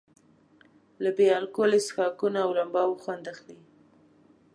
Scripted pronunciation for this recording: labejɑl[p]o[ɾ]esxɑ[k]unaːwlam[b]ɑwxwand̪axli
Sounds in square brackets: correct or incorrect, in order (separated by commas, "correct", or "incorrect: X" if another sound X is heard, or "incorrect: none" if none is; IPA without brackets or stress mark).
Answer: incorrect: k, incorrect: l, correct, correct